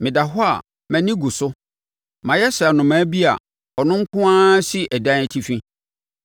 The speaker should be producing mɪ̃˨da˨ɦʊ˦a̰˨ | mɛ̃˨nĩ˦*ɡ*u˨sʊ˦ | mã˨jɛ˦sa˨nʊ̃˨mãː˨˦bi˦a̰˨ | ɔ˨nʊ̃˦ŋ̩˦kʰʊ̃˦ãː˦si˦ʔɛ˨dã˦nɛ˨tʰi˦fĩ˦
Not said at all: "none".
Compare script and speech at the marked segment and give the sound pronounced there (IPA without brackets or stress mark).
ɡ